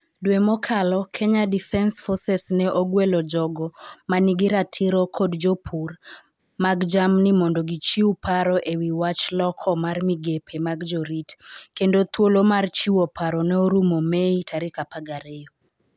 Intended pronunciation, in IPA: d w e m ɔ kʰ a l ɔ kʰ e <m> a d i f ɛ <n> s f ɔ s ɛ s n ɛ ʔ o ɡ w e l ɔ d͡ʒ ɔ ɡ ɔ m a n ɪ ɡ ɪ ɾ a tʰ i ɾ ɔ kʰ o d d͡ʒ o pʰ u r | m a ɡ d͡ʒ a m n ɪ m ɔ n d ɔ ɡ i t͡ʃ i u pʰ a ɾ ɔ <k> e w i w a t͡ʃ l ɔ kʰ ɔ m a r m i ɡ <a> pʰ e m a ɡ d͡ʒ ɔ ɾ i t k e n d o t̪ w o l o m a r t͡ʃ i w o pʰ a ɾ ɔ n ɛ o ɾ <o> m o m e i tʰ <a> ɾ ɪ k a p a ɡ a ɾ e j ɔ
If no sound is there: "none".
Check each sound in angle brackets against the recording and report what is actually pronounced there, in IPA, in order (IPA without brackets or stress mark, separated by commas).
ɲ, n, ʔ, e, u, a